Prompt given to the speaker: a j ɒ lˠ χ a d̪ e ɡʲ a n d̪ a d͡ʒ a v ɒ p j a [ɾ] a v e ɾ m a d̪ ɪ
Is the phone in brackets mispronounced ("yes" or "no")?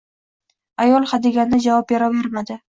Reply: no